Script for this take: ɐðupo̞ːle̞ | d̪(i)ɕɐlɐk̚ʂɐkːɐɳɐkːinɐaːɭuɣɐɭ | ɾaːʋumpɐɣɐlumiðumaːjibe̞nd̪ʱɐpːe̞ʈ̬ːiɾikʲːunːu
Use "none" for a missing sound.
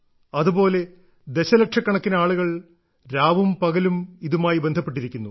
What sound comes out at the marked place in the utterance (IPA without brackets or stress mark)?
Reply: e